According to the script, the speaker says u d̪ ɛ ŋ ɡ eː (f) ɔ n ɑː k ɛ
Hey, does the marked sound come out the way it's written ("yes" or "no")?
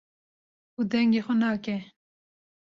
no